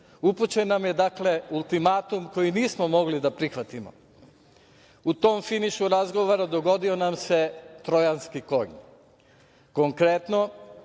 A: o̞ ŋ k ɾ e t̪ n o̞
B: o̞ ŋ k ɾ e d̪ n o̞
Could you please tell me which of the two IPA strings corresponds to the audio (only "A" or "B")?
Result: A